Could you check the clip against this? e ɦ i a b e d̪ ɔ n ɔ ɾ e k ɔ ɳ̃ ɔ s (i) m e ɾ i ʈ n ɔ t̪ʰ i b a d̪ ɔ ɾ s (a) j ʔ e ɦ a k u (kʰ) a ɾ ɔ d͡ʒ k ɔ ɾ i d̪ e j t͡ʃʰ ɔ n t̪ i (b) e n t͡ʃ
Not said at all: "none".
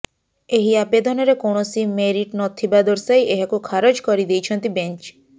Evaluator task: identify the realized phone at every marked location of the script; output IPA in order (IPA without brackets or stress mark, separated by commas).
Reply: i, a, kʰ, b